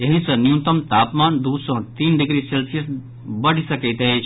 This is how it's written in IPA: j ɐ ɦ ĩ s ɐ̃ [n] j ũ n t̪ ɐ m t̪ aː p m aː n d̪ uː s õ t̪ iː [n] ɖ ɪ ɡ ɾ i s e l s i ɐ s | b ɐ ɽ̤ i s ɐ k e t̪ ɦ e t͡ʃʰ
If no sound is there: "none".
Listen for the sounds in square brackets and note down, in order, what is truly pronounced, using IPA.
n, n

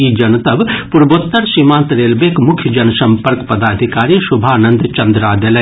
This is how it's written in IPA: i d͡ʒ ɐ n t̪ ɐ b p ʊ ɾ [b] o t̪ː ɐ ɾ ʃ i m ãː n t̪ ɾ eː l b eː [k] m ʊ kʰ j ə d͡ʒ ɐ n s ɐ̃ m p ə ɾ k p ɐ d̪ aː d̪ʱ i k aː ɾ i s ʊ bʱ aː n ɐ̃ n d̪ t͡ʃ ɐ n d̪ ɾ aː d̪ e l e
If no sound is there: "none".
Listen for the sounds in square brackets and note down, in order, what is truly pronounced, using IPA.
b, k

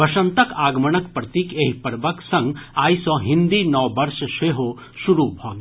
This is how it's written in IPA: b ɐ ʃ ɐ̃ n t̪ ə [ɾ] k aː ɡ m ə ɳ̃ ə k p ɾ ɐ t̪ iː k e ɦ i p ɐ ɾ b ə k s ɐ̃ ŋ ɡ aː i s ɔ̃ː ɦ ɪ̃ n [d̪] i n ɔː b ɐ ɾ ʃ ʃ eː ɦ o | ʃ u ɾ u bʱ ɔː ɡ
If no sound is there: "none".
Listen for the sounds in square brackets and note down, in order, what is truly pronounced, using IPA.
none, d̪

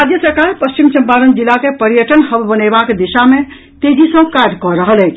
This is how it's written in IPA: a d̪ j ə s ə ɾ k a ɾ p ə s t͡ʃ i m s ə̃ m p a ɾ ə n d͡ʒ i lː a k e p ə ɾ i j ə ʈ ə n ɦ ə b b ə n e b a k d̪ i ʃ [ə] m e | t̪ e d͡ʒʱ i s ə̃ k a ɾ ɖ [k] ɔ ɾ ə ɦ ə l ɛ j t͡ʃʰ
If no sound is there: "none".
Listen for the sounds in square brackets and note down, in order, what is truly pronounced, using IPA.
a, k

